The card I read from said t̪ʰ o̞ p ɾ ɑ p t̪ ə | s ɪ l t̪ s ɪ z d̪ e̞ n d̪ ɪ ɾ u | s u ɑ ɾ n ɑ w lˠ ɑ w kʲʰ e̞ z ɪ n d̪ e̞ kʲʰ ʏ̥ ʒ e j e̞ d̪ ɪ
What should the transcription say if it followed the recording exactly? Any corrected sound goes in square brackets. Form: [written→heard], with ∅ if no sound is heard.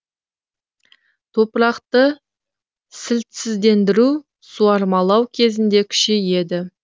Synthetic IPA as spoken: t̪ʰ o̞ p ɾ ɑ [p→q] t̪ ə | s ɪ l t̪ s ɪ z d̪ e̞ n d̪ ɪ ɾ u | s u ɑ ɾ [n→m] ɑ [w→∅] lˠ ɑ w kʲʰ e̞ z ɪ n d̪ e̞ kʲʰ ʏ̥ [ʒ→ʃ] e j e̞ d̪ ɪ